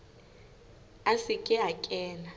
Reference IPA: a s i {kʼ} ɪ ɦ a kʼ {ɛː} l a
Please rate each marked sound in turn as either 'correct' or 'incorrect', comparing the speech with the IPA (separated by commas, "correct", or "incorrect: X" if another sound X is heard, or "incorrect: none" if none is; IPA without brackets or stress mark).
correct, correct